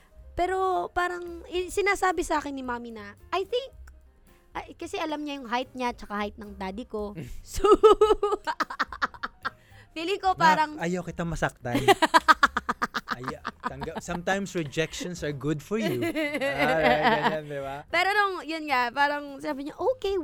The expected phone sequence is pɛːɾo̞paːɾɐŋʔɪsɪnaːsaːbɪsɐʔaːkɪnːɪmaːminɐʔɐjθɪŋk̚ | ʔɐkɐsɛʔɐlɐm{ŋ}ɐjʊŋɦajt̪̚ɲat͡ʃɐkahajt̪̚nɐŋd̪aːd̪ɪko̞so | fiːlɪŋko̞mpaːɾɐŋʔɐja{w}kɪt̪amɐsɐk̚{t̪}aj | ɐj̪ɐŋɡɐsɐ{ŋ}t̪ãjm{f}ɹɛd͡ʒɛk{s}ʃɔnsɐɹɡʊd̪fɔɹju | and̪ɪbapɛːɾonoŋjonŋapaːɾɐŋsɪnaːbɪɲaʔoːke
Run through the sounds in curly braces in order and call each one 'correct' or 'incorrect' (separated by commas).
incorrect, correct, correct, incorrect, incorrect, incorrect